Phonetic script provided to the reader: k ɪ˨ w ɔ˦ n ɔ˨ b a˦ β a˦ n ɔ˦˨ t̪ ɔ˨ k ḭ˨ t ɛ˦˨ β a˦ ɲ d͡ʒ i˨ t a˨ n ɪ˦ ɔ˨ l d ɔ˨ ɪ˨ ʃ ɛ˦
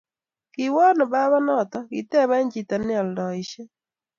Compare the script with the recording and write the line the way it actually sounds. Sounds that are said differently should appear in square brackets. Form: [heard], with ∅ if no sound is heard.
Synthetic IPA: k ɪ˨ w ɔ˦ n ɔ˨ b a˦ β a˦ n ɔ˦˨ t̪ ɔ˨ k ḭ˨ t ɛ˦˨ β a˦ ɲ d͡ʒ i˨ t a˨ n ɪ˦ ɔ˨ l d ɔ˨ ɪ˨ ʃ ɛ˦